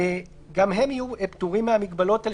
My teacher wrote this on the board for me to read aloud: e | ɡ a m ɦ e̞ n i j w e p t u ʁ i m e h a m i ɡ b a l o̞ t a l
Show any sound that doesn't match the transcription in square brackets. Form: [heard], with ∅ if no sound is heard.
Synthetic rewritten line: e | ɡ a m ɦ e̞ [m] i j [u] e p t u ʁ i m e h a m i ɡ b a l o̞ t a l